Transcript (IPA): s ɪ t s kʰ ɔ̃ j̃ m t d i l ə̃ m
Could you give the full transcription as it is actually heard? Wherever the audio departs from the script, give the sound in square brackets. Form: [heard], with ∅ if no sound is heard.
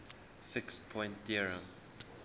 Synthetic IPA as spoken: [f] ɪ [k] s [pʰ] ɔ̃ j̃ [n] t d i [ɹ] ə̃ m